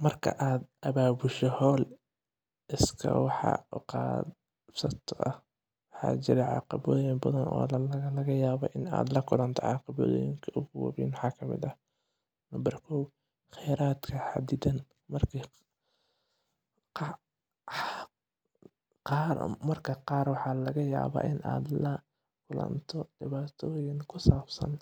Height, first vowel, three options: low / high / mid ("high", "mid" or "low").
low